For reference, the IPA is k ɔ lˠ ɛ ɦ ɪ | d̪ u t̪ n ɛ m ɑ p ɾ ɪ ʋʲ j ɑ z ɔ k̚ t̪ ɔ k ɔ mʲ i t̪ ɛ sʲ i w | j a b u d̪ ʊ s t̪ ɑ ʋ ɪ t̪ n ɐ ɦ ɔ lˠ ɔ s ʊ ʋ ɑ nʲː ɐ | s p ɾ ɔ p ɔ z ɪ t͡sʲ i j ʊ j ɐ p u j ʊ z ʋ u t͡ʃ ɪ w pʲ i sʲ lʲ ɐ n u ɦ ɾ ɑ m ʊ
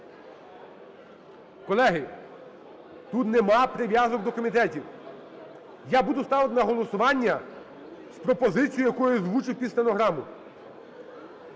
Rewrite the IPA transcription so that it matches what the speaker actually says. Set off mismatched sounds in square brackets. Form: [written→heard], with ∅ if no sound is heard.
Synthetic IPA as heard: k ɔ lˠ ɛ ɦ ɪ | [d̪→t̪] u t̪ n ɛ m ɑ p ɾ ɪ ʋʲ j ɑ z ɔ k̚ [t̪→d̪] ɔ k ɔ mʲ i t̪ ɛ [sʲ→tʲ] i w | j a b u d̪ ʊ s t̪ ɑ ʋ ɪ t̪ n ɐ ɦ ɔ lˠ ɔ s ʊ ʋ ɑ nʲː ɐ | s p ɾ ɔ p ɔ z ɪ t͡sʲ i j ʊ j ɐ [p→k] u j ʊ z ʋ u t͡ʃ ɪ w pʲ i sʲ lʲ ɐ n [u→ɔ] ɦ ɾ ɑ m ʊ